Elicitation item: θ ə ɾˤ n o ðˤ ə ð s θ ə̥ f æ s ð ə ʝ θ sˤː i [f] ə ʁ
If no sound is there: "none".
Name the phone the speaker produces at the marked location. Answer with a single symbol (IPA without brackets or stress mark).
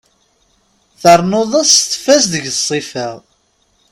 f